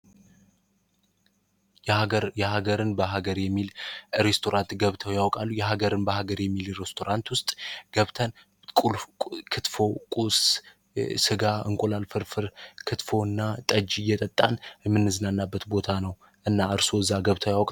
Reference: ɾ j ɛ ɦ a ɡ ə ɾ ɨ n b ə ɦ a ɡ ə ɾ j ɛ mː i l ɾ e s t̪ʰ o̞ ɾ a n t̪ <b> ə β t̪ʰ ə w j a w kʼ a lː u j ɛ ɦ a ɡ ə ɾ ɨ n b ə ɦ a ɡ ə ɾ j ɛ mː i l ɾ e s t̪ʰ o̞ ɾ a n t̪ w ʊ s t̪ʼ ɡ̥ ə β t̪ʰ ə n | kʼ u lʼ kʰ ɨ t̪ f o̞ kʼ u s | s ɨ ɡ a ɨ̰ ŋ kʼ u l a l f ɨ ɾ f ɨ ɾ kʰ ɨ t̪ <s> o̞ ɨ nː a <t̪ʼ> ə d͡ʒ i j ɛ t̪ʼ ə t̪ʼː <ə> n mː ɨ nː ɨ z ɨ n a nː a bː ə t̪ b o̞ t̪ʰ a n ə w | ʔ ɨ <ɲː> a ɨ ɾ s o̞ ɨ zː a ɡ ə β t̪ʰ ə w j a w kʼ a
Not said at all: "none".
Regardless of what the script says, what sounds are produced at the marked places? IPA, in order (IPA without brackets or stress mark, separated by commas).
ɡ, f, t̪ʼ, a, nː